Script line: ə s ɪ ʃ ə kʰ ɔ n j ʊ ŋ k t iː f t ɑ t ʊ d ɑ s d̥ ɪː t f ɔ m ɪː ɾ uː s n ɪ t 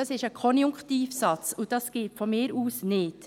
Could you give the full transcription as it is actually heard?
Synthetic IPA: ɑ s ɪ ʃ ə kʰ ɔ n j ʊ ŋ k t iː f s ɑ t͡s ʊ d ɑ s ɡ̥ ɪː t f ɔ m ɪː ɾ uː s n ɪ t

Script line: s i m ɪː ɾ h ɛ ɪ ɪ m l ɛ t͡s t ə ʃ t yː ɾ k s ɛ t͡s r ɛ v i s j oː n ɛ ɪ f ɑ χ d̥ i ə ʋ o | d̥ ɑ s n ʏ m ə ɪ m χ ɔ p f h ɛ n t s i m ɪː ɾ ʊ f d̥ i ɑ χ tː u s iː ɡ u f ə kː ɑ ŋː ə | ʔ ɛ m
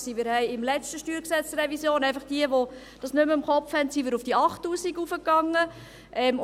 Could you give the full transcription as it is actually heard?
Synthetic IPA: s i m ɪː ɾ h ɛ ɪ ɪ m l ɛ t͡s t ə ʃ t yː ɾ k s ɛ t͡s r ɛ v i s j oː n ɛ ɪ f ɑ χ d̥ i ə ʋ o | d̥ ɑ s n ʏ m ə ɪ m χ ɔ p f h ɛ n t s i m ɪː ɾ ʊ f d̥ i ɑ χ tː uː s i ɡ u f ə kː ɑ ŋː ə | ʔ ɛ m

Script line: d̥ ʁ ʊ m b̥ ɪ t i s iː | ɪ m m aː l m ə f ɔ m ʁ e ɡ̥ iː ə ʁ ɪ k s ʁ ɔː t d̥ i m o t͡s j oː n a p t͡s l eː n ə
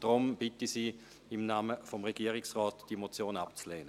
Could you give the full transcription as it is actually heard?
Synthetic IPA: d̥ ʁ ʊ m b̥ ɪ t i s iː | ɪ m n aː m ə f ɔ m ʁ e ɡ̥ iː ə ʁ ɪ k s ʁ ɔː t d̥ i m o t͡s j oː n a p t͡s l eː n ə

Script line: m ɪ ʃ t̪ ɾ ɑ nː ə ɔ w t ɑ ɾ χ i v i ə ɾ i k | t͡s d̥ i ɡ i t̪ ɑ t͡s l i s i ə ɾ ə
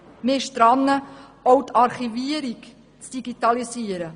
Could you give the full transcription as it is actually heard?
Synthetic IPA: m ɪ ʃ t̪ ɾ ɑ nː ə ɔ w t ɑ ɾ χ i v i ə ɾ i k | t͡s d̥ i ɡ i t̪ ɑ l i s i ə ɾ ə

